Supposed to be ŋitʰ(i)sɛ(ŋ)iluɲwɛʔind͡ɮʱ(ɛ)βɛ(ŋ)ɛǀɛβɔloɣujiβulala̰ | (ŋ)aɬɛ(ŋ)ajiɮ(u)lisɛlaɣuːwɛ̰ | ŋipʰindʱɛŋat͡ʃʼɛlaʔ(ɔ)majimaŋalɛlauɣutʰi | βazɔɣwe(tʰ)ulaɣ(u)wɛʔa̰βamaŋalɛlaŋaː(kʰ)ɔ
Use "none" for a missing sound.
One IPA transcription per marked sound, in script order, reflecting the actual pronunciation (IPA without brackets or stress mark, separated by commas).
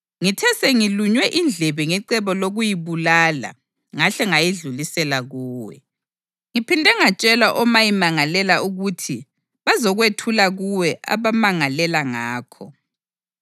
ɛ, ŋ, ɛ, ŋ, ŋ, ŋ, u, ɔ, tʰ, u, kʰ